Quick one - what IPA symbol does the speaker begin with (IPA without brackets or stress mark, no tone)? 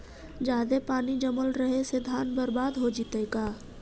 d͡ʒ